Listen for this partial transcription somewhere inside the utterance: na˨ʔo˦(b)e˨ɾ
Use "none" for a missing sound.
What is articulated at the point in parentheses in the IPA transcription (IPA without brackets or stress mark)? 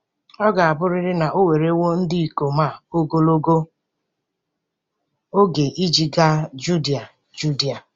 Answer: w